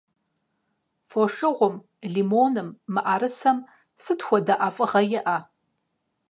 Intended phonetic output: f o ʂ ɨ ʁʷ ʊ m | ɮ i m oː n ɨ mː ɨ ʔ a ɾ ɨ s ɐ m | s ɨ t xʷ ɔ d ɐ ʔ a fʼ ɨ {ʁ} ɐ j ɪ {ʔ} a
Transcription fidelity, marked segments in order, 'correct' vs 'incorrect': correct, correct

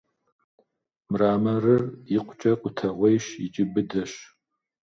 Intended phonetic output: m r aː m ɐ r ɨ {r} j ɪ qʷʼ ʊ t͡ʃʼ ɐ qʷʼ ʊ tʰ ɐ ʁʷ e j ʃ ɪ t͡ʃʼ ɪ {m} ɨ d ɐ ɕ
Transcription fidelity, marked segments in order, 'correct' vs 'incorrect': correct, incorrect: b

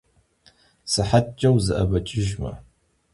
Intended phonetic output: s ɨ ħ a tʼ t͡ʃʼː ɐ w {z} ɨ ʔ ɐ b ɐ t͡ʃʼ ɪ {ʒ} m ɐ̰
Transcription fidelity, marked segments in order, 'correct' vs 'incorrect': correct, correct

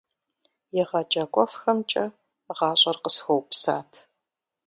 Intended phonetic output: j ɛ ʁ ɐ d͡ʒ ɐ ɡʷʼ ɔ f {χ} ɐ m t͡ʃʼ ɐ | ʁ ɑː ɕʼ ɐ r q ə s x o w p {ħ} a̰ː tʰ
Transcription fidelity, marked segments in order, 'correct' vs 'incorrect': incorrect: x, incorrect: s

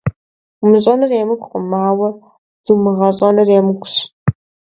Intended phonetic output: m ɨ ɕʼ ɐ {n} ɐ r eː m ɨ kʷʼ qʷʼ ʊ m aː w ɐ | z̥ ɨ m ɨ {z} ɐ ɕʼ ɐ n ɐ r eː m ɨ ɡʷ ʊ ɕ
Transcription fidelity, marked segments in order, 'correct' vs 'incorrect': correct, incorrect: ʁ

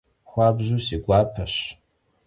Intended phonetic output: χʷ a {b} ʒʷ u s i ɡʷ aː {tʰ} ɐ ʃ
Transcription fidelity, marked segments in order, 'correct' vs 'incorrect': correct, incorrect: pʰ

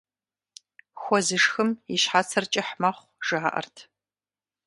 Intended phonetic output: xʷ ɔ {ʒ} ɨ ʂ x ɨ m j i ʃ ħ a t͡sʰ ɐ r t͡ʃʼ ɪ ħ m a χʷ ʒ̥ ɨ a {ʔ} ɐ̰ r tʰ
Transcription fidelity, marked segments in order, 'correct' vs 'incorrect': incorrect: z, correct

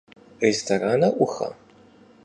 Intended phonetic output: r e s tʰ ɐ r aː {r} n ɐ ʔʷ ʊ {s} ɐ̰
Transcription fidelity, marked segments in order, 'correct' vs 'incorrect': incorrect: none, incorrect: x

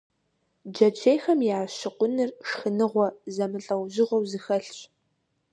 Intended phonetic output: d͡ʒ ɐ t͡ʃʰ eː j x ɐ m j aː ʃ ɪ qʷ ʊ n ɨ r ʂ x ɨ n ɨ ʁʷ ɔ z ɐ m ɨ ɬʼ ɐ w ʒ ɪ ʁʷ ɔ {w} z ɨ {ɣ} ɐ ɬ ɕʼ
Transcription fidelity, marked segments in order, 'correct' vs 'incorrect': correct, incorrect: x

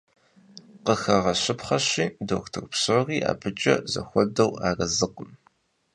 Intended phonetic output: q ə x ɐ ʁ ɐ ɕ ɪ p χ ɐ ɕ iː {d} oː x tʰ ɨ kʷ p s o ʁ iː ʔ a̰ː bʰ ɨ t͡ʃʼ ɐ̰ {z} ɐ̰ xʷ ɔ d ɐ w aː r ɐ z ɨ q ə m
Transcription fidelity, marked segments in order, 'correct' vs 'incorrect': correct, correct

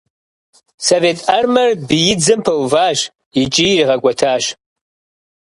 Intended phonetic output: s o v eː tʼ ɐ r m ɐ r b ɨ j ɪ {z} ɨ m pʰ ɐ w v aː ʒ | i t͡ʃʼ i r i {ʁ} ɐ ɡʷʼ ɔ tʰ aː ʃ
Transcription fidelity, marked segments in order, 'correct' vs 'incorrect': incorrect: d͡z, correct

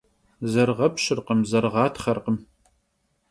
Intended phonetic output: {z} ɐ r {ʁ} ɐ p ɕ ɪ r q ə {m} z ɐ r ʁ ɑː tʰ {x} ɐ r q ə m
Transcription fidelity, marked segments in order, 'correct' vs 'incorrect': correct, correct, correct, incorrect: χ

